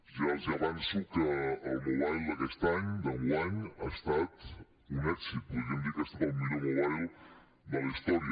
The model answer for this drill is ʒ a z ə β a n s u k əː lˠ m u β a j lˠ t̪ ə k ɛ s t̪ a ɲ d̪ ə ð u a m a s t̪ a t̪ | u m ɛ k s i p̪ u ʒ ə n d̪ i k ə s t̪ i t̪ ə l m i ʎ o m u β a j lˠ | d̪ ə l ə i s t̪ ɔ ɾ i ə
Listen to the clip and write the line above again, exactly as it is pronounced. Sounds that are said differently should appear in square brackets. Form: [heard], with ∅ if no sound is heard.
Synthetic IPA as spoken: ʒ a z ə β a n s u k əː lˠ m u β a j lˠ [d̪] ə k ɛ s t̪ a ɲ d̪ ə [ɣ] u a [ɲ] a s t̪ a t̪ | u [n] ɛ k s i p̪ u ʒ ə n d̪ i k ə s t̪ [a] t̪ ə l m i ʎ o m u β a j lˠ | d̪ ə l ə i s t̪ ɔ ɾ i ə